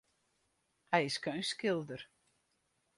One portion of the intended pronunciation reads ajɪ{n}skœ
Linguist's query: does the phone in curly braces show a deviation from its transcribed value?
yes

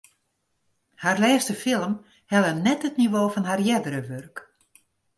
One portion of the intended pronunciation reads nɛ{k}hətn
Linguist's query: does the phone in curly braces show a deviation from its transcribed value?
yes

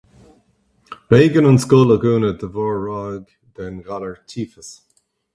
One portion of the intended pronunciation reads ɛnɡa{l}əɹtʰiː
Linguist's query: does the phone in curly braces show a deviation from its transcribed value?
no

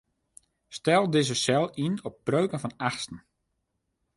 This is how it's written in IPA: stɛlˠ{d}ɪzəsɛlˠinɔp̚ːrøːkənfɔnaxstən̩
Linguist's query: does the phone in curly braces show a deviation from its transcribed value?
no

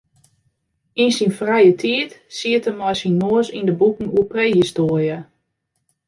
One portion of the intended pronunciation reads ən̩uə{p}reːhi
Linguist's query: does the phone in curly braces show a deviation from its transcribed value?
no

